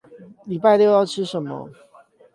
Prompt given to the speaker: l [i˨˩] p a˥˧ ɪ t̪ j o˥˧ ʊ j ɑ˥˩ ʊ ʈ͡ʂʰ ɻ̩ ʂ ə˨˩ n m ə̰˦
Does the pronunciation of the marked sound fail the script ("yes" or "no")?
no